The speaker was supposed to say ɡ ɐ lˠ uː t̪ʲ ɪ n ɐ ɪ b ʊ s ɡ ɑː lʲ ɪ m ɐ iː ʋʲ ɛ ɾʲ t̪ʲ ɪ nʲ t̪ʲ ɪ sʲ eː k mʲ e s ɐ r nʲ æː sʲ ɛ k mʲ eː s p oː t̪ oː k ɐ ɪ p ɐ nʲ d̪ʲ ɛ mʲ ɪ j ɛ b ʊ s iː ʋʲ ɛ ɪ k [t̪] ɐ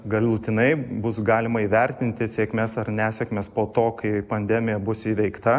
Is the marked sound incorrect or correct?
correct